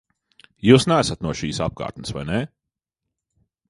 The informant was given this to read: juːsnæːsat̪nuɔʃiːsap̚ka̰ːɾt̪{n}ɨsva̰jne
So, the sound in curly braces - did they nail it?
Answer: yes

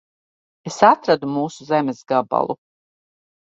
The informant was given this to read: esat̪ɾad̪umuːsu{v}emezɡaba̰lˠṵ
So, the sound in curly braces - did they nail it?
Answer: no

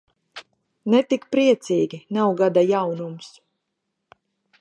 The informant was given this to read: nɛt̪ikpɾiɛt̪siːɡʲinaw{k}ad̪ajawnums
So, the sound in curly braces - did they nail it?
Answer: no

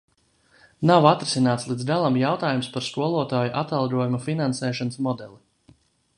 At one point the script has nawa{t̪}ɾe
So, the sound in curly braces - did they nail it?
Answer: yes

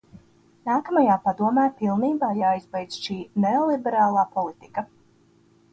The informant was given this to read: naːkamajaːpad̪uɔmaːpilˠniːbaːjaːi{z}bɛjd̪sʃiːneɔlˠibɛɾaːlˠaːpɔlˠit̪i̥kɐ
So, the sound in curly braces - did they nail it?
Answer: yes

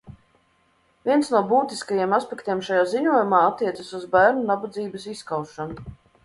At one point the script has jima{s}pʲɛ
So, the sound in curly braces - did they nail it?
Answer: yes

